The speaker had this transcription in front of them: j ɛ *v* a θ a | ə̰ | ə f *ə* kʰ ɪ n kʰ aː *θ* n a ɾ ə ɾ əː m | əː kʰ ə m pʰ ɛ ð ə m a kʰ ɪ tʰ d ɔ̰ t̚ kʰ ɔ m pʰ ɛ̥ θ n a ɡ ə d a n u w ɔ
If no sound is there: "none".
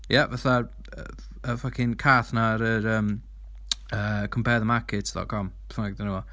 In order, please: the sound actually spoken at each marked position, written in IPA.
v, a, θ

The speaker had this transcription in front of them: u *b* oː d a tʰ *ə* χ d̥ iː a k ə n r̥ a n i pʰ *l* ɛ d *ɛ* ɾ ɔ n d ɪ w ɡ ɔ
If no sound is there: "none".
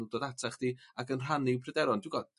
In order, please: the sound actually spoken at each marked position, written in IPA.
d, a, r, ɛ

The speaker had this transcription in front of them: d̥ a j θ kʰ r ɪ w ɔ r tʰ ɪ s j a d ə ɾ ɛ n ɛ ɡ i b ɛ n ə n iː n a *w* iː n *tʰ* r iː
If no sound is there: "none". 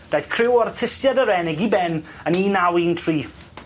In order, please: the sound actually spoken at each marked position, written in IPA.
w, tʰ

